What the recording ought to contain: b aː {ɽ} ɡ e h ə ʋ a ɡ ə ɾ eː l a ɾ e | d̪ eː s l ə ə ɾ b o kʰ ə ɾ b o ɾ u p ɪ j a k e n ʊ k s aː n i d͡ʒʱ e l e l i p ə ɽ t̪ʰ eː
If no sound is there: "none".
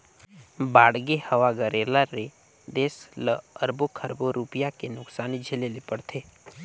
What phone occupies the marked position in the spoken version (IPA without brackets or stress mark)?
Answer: ɽ